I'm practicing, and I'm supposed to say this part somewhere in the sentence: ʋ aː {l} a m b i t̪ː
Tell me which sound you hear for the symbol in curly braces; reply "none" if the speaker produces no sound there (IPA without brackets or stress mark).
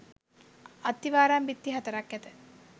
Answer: ɾ